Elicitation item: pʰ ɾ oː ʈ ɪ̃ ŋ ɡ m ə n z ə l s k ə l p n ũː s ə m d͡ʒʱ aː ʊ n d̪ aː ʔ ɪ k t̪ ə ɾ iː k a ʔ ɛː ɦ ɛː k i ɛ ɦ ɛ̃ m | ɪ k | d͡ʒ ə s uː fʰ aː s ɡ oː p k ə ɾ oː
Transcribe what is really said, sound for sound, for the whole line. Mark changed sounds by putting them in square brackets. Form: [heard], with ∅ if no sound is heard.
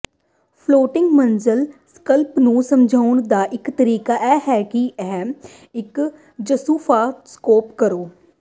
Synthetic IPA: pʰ [l] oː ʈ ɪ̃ ŋ ɡ m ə n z ə l s k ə l p n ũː s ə m d͡ʒʱ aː ʊ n d̪ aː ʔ ɪ k t̪ ə ɾ iː k a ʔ ɛː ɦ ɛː k i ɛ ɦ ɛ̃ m | ɪ k | d͡ʒ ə s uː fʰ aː s [k] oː p k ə ɾ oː